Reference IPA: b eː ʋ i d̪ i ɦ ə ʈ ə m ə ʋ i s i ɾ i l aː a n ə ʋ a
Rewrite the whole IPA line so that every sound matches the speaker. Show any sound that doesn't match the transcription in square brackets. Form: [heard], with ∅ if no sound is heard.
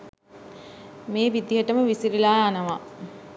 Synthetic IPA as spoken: [m] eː ʋ i d̪ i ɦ ə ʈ ə m ə ʋ i s i ɾ i l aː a n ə ʋ a